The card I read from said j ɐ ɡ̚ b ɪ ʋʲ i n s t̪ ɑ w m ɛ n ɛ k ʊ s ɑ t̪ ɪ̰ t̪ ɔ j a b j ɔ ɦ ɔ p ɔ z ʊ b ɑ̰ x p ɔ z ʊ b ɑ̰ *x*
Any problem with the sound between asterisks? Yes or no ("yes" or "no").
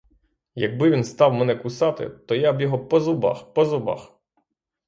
no